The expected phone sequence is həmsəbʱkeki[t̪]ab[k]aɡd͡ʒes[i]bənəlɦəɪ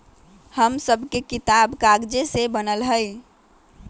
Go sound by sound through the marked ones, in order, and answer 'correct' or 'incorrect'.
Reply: correct, correct, incorrect: e

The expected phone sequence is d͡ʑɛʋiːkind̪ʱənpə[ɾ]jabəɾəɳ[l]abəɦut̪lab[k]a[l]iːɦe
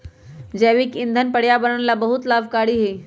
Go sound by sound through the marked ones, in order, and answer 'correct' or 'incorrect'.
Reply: incorrect: ɽ, correct, correct, incorrect: ɽ

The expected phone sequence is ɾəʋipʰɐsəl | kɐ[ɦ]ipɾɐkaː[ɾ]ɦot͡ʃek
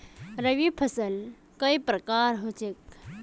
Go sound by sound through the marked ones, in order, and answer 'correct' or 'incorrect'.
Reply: incorrect: none, correct

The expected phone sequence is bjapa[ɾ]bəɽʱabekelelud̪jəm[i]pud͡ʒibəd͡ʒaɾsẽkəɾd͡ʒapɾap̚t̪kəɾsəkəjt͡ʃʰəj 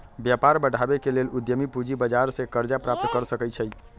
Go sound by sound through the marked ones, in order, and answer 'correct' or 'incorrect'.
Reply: correct, correct

